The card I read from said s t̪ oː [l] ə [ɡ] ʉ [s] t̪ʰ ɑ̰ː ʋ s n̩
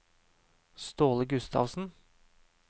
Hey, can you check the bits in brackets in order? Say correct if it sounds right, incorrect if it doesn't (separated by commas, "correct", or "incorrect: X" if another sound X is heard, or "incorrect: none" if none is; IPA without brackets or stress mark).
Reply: correct, correct, correct